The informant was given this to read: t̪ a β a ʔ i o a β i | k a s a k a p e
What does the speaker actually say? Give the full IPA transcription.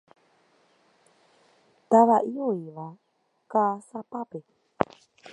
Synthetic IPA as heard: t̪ a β a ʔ i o i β a | k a s a p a p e